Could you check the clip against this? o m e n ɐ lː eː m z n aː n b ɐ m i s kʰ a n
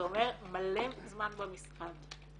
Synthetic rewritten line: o m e m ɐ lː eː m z m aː n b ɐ m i s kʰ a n